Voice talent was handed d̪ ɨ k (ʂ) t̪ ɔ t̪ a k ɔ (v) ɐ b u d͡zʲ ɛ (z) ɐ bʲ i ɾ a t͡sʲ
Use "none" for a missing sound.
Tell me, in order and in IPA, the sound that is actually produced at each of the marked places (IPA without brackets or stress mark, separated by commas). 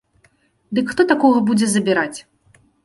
x, ɣ, z